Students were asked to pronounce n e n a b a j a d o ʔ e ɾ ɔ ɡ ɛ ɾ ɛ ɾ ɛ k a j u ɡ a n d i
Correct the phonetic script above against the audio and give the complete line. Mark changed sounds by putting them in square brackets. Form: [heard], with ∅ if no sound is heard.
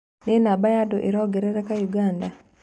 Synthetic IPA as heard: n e n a b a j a d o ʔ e ɾ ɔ ɡ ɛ ɾ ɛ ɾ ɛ k a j u ɡ a n d [a]